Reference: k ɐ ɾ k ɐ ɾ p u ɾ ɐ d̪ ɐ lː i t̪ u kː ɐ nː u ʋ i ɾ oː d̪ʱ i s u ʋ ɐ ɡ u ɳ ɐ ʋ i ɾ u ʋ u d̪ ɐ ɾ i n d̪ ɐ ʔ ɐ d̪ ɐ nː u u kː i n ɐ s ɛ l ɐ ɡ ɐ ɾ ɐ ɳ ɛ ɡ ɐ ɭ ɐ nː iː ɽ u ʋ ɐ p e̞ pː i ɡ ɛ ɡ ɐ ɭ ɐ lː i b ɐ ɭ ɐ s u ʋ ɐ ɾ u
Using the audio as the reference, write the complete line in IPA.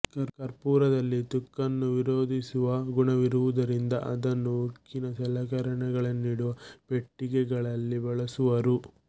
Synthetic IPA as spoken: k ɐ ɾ k ɐ ɾ p uː ɾ ɐ d̪ ɐ lː i t̪ u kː ɐ nː u ʋ i ɾ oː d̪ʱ i s u ʋ ɐ ɡ u ɳ ɐ ʋ i ɾ u ʋ u d̪ ɐ ɾ i n d̪ ɐ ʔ ɐ d̪ ɐ nː u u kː i n ɐ s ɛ l ɐ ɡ ɐ ɾ ɐ ɳ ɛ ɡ ɐ ɭ ɐ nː iː ɽ u ʋ ɐ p e̞ ʈː i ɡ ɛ ɡ ɐ ɭ ɐ lː i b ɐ ɭ ɐ s u ʋ ɐ ɾ u